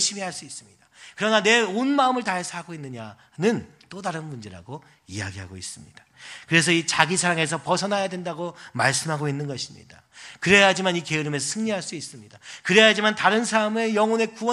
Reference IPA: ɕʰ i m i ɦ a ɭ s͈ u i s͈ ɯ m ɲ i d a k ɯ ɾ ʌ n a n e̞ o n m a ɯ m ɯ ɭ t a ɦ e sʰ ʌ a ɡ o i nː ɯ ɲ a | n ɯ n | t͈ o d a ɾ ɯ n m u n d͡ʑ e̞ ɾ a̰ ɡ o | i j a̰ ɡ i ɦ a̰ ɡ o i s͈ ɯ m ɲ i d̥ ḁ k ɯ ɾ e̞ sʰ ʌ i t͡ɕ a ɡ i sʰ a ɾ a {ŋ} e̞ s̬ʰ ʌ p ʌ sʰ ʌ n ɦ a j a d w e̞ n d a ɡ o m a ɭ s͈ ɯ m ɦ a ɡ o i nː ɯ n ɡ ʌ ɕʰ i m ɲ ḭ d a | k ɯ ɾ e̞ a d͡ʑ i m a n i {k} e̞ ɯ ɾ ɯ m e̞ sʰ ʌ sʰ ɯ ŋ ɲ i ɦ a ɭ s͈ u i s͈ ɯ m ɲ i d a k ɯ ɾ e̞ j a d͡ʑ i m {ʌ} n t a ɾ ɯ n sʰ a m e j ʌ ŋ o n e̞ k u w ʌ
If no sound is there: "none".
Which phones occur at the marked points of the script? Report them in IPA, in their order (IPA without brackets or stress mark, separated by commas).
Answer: ŋ, k, a